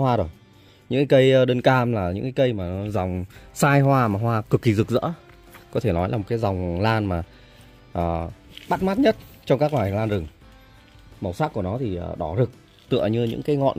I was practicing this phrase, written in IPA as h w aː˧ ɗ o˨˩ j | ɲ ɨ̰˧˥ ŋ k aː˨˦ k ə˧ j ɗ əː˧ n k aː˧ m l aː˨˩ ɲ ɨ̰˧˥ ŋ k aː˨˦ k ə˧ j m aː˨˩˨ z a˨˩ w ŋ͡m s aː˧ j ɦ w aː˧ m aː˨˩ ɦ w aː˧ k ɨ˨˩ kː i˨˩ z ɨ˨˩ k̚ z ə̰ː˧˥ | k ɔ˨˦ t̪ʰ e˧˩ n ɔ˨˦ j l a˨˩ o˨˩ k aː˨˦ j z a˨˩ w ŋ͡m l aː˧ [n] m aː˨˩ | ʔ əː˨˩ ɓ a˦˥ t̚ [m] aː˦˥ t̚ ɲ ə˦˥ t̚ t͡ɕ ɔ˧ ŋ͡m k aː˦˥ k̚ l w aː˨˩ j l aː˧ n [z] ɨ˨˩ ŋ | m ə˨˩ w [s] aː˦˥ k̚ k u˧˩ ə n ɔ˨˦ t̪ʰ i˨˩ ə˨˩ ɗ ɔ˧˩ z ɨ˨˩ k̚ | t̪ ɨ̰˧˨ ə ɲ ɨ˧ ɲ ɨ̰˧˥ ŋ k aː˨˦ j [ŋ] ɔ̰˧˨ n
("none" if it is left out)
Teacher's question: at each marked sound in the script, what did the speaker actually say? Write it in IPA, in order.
n, m, z, s, ŋ

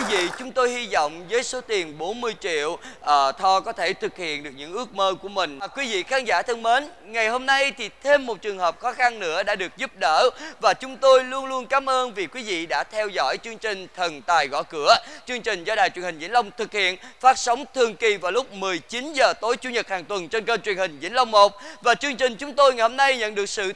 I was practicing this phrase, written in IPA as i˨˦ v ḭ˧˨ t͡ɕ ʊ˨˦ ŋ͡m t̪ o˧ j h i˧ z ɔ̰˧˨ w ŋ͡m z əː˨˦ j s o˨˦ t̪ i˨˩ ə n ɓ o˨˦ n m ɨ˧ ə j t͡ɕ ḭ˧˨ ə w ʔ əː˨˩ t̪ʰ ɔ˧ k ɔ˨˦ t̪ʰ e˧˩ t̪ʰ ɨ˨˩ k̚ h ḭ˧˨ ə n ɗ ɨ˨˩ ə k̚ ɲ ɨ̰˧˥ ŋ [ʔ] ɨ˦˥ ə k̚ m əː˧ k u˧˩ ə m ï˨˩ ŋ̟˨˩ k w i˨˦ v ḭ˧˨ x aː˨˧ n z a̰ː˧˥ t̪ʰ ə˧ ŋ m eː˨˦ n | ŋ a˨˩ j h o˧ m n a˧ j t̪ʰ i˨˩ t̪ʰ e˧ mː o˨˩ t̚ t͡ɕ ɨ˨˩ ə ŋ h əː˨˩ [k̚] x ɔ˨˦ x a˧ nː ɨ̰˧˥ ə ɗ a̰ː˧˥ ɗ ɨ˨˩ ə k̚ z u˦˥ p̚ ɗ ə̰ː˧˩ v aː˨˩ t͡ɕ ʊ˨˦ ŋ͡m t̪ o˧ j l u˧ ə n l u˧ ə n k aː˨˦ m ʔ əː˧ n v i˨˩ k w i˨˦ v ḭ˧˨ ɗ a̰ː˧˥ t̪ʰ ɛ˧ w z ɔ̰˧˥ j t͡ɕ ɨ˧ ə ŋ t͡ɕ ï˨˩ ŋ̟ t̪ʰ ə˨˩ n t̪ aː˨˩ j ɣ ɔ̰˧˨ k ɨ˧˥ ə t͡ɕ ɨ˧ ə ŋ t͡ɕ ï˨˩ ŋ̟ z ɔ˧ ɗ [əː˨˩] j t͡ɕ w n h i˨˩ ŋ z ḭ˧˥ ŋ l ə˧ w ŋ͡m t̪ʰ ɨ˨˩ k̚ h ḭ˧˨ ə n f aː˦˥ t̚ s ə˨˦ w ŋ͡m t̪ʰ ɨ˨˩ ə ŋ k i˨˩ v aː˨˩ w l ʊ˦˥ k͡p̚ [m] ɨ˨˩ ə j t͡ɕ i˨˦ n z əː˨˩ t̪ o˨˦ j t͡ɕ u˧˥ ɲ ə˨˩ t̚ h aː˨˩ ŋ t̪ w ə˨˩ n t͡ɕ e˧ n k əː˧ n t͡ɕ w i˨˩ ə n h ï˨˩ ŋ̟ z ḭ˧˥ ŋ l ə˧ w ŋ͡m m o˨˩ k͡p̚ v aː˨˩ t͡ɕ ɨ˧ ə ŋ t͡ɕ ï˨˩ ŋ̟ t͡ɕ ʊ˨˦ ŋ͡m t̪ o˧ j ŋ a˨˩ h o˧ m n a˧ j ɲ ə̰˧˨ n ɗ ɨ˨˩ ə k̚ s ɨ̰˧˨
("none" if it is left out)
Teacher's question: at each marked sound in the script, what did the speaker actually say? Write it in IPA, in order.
ʔ, p̚, aː˨˩, m

